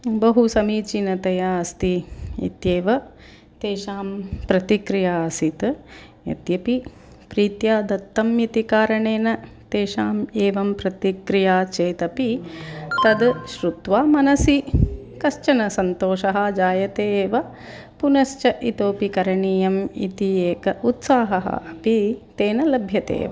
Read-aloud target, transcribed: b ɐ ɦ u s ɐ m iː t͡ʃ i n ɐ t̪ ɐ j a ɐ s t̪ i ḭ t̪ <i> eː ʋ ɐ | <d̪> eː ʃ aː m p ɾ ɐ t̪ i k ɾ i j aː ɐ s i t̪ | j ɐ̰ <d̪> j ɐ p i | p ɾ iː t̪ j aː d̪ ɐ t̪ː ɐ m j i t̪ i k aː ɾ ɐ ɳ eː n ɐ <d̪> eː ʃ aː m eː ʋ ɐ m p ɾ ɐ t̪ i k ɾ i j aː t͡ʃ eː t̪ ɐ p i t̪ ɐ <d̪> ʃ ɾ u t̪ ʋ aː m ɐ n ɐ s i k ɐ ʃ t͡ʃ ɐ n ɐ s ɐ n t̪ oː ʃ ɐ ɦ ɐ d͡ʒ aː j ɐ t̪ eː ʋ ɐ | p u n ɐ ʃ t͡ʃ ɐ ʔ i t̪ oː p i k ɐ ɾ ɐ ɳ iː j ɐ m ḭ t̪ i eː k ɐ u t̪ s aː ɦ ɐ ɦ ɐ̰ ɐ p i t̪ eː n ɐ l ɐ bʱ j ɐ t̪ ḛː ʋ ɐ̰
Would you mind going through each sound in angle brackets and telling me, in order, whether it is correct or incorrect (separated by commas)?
incorrect, incorrect, incorrect, incorrect, correct